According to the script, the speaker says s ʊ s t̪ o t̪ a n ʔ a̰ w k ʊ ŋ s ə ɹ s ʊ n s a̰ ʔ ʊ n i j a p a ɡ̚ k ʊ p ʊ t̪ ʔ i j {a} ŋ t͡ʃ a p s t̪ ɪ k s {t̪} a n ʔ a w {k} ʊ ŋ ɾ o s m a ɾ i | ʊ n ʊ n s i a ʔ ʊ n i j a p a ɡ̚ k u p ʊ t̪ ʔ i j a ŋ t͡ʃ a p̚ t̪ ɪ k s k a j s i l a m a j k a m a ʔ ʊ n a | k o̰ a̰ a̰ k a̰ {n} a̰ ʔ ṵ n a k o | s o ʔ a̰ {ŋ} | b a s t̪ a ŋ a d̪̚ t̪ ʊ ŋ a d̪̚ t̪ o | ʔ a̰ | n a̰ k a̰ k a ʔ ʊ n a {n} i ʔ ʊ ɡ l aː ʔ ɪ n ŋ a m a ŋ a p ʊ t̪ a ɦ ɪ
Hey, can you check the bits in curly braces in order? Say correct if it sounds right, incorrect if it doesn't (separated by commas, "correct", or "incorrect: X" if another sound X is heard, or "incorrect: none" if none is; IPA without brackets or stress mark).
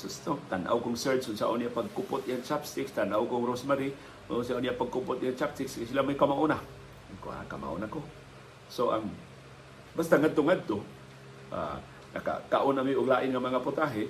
correct, correct, correct, incorrect: m, correct, incorrect: m